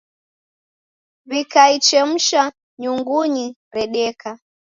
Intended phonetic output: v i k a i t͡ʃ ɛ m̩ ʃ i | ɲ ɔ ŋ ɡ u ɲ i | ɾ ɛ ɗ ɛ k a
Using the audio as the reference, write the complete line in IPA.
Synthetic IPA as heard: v i k a i t͡ʃ ɛ m̩ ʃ a | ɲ u ŋ ɡ u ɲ i | ɾ ɛ ɗ ɛ k a